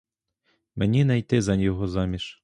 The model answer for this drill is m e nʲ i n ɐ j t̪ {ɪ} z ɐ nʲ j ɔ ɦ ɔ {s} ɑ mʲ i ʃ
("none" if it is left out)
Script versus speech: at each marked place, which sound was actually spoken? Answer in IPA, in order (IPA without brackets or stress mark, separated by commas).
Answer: ɪ, z